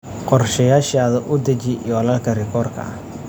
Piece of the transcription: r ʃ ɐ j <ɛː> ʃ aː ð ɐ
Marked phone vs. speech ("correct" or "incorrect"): incorrect